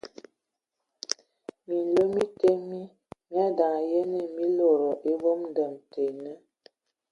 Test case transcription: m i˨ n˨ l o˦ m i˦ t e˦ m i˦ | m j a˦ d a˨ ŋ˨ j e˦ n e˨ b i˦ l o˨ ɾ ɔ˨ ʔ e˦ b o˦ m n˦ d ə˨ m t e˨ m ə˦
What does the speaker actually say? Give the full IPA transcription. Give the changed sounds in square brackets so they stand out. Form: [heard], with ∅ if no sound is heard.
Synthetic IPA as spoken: m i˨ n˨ l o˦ m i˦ t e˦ m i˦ | m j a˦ d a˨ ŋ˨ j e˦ n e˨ [m] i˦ l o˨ ɾ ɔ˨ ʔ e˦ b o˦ m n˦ d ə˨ m t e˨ [n] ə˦